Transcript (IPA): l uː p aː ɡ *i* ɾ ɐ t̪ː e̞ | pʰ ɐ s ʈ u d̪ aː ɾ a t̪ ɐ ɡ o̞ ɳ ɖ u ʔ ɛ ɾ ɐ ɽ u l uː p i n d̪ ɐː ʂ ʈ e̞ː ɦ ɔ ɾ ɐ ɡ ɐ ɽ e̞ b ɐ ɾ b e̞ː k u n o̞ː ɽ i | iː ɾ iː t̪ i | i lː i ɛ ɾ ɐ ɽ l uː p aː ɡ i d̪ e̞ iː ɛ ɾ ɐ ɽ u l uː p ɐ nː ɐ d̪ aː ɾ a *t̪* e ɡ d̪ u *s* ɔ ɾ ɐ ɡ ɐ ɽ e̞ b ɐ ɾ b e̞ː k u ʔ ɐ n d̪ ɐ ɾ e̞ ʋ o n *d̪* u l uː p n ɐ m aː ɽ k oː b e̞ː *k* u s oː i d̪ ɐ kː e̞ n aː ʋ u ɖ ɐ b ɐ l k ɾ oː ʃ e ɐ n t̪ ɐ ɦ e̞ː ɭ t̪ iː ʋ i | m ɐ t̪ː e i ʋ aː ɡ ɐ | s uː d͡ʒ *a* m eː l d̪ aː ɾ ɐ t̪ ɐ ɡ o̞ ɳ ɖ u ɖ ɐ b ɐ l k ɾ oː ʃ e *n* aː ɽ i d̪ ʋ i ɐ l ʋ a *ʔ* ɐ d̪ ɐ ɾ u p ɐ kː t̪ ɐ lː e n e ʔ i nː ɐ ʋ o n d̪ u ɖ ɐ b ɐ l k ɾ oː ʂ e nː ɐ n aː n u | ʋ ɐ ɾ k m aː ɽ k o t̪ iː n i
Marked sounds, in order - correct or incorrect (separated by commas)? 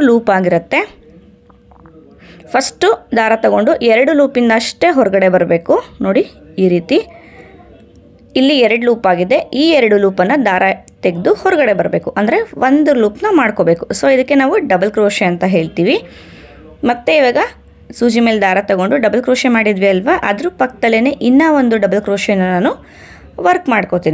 correct, correct, incorrect, correct, correct, incorrect, incorrect, correct